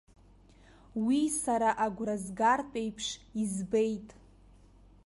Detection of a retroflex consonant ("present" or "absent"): present